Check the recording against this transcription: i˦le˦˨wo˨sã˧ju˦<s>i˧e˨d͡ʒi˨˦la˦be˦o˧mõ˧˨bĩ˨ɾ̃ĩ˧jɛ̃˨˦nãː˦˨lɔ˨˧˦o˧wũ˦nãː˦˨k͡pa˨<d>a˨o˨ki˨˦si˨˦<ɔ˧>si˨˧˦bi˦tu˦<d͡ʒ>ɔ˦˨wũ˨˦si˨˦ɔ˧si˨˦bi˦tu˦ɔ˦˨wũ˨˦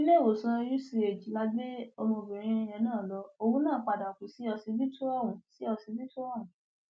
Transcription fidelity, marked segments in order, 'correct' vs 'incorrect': correct, correct, correct, incorrect: none

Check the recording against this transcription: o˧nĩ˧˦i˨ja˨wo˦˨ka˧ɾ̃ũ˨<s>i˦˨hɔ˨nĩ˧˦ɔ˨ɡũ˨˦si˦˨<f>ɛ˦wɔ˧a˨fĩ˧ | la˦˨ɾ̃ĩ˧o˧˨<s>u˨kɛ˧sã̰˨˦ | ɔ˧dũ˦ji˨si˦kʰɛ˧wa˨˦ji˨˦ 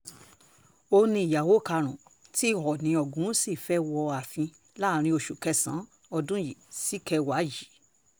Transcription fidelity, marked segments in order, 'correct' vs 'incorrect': incorrect: t, correct, incorrect: ʃ

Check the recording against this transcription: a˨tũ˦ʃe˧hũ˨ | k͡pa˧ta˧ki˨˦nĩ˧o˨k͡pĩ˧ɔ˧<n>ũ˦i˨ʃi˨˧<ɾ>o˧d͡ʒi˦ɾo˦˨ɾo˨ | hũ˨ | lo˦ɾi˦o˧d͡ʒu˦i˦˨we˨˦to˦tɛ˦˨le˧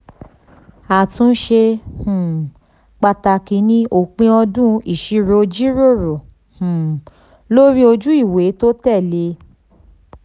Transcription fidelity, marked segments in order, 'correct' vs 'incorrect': incorrect: d, correct

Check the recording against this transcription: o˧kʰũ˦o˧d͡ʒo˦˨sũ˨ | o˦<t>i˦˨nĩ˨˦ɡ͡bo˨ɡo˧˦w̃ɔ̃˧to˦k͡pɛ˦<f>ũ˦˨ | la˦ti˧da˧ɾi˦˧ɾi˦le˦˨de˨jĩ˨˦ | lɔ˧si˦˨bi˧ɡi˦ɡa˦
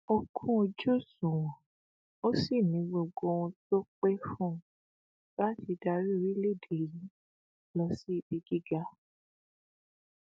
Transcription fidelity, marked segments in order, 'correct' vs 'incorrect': incorrect: s, correct

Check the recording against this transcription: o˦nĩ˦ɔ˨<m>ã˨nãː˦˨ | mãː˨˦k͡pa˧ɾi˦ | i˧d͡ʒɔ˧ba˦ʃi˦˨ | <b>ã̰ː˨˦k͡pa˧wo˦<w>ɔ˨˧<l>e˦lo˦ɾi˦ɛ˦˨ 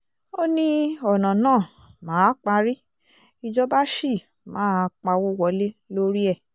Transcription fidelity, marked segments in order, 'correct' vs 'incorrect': incorrect: n, incorrect: m, correct, correct

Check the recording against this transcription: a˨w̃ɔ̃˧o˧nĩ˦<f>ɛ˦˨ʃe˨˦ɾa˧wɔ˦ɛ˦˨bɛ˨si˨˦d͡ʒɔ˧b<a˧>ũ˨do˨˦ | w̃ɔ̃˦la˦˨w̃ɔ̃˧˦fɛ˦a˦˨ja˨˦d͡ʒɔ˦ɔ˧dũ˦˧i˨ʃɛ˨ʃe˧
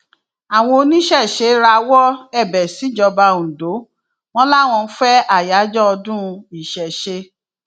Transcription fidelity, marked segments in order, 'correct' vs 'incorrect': incorrect: ʃ, correct

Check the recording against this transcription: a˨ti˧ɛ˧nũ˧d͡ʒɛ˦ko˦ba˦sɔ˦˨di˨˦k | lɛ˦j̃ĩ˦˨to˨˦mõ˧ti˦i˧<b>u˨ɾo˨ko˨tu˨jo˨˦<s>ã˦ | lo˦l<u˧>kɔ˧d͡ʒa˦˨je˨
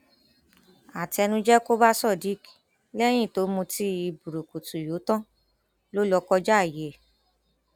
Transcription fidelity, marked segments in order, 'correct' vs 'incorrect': correct, incorrect: t, incorrect: ɔ˧

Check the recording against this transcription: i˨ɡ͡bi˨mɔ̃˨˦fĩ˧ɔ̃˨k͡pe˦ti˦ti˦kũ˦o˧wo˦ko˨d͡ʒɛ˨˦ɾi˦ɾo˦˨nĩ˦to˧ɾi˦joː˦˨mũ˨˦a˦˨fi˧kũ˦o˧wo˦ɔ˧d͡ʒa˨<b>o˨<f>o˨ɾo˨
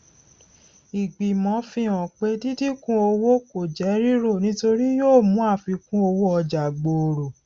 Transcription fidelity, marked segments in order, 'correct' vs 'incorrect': incorrect: ɡ͡b, incorrect: none

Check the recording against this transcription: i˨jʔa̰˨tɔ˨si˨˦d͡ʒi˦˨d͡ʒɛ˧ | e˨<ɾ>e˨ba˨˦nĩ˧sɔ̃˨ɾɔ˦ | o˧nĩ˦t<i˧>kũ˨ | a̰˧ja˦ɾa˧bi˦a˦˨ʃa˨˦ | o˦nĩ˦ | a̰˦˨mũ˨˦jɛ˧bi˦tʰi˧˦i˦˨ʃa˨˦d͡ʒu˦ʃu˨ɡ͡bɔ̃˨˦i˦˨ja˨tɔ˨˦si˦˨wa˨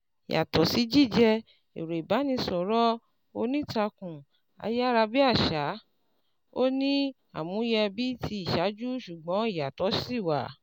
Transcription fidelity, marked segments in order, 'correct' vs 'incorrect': correct, incorrect: a˧

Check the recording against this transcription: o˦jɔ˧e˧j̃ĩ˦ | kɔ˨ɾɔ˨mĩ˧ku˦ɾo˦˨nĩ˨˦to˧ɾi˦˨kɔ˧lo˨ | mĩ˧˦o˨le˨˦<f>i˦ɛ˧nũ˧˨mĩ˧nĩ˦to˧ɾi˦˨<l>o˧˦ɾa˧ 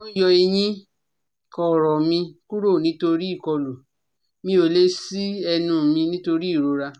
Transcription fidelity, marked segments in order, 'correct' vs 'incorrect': incorrect: s, incorrect: ɾ

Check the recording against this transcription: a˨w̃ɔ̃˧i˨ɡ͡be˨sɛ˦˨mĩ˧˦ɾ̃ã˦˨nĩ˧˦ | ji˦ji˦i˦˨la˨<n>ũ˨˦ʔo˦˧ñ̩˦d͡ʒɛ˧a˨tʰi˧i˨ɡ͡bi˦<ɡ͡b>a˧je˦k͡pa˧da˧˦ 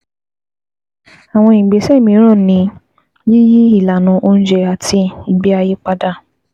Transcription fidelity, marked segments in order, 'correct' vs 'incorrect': correct, incorrect: none

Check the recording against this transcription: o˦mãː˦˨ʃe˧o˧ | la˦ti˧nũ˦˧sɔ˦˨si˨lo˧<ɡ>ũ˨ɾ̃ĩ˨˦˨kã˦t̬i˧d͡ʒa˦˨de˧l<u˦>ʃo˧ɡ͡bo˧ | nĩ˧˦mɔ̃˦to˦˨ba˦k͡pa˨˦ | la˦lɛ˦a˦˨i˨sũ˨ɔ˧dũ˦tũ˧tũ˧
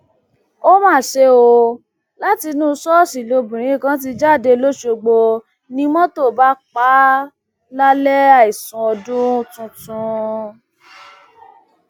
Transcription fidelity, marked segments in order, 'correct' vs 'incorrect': incorrect: b, incorrect: o˦

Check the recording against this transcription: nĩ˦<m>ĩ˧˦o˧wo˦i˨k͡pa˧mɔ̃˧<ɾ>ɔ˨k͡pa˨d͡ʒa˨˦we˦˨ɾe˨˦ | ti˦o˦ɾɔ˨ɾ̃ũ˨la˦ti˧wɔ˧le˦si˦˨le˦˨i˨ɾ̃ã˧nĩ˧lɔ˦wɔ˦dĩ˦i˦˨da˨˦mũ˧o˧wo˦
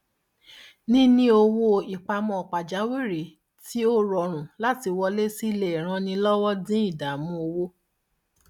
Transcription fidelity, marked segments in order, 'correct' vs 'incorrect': incorrect: n, incorrect: none

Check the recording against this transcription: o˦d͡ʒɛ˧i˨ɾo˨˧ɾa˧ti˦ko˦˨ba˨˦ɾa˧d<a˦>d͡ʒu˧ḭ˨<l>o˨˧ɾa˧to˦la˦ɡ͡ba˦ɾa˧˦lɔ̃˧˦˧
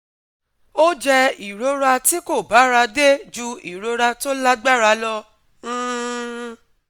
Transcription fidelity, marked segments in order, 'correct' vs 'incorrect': incorrect: e˦, incorrect: ɾ

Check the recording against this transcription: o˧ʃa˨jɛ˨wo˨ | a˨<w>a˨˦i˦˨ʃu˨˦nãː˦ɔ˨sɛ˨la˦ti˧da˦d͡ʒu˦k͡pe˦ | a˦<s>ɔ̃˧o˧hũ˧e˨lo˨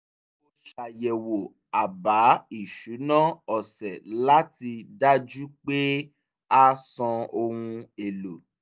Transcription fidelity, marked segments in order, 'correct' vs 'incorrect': incorrect: b, correct

